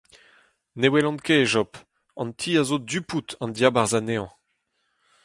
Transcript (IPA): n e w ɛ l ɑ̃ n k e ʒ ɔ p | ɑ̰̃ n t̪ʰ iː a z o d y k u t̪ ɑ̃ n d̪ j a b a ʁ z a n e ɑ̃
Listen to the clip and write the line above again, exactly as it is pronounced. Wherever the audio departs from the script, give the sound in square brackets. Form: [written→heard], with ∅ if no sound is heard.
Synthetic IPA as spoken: n e w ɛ l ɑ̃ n k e ʒ ɔ p | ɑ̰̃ n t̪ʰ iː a z o d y [k→p] u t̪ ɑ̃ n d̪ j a b a ʁ z a n e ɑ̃